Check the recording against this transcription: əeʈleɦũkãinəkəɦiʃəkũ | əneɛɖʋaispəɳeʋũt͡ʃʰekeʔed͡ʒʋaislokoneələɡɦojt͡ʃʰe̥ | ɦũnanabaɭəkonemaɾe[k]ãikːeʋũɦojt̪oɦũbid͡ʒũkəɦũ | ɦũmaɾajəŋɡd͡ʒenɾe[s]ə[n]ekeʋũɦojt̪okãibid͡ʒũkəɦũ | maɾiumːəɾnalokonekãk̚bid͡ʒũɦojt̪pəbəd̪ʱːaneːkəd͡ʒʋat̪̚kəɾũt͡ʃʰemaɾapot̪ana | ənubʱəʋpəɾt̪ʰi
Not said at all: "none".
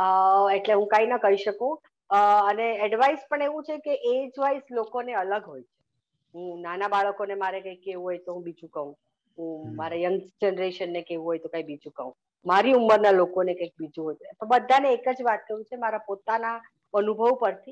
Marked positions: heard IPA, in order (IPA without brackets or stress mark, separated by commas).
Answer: k, ʃ, nː